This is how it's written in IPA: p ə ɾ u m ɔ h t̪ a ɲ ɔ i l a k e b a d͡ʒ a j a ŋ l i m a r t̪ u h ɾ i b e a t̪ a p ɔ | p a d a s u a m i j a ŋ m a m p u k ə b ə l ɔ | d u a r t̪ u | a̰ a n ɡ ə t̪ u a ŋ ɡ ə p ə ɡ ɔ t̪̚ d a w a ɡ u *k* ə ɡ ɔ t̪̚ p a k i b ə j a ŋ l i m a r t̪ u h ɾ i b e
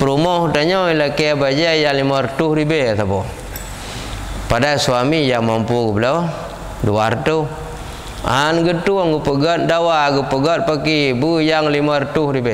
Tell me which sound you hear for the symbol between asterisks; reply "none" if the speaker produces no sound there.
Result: p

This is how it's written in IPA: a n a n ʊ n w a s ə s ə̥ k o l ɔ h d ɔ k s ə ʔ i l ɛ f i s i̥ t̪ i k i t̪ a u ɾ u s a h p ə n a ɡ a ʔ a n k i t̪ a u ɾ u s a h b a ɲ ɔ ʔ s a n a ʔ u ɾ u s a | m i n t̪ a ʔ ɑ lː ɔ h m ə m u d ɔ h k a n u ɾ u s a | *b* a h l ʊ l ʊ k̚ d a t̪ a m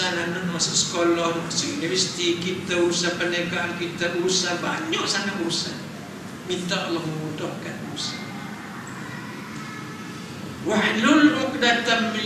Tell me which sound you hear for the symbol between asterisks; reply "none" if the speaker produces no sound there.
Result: w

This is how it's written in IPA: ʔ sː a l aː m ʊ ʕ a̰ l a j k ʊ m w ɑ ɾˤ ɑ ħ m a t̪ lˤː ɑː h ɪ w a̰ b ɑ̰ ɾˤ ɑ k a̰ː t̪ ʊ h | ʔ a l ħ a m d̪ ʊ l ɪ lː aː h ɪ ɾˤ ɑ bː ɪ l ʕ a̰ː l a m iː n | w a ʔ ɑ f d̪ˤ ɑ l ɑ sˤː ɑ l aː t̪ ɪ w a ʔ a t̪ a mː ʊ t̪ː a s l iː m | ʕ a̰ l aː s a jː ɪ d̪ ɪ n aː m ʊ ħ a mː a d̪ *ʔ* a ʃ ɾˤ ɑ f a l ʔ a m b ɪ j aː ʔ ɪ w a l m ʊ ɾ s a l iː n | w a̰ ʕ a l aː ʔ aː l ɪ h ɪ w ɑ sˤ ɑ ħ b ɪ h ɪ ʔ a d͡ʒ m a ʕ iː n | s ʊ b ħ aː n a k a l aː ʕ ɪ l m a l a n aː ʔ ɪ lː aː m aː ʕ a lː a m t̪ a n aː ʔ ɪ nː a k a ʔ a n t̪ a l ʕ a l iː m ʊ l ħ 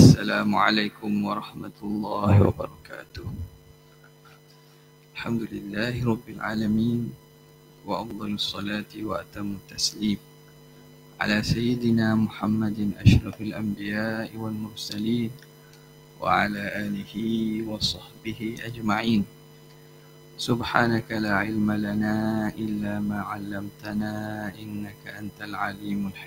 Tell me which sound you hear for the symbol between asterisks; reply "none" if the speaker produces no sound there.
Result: ʔ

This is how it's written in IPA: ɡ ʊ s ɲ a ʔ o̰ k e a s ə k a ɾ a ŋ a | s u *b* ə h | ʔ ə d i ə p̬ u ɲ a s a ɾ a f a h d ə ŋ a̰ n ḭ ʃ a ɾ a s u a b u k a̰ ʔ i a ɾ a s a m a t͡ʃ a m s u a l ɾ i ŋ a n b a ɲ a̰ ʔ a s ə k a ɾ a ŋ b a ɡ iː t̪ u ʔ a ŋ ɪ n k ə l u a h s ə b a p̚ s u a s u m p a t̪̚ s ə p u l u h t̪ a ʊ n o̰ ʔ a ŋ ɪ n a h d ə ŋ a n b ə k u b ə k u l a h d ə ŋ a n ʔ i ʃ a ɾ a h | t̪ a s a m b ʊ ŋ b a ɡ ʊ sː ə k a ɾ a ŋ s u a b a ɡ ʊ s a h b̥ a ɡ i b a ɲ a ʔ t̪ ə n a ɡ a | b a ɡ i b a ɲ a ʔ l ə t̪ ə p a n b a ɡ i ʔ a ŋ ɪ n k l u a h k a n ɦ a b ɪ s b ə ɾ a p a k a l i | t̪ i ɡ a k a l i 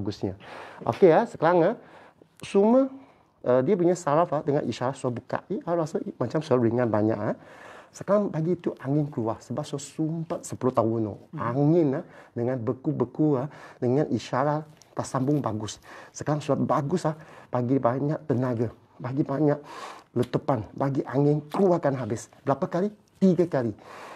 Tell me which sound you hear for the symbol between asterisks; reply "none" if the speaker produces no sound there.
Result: m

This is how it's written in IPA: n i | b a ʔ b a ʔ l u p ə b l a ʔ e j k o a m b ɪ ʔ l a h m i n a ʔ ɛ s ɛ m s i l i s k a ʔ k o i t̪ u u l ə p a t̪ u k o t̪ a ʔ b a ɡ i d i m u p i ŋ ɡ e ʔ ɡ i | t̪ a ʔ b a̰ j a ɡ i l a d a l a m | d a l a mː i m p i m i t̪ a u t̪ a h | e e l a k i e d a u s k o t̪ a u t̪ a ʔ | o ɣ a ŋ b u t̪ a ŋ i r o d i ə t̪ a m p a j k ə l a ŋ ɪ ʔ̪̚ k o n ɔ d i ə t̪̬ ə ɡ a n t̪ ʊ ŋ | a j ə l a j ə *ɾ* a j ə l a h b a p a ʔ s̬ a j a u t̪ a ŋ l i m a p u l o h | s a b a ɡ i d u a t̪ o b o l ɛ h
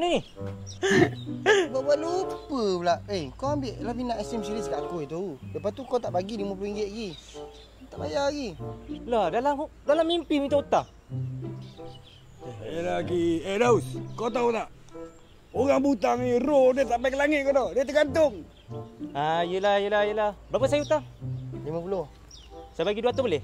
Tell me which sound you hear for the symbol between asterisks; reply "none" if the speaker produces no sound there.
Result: l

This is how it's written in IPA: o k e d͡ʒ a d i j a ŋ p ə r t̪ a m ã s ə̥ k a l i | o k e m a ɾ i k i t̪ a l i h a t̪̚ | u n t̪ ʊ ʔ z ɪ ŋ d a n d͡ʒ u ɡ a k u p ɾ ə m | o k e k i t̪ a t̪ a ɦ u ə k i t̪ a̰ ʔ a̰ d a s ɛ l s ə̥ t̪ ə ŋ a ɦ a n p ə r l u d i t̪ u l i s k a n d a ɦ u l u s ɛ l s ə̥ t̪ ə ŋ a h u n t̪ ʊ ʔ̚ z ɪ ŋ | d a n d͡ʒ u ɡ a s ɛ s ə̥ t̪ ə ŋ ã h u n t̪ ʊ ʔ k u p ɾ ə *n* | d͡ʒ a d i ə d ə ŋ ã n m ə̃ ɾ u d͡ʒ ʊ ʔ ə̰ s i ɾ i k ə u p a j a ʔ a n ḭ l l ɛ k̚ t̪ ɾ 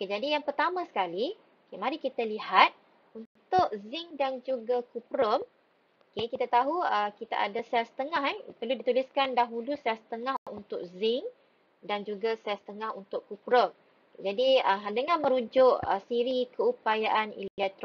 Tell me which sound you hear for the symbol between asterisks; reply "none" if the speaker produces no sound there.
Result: m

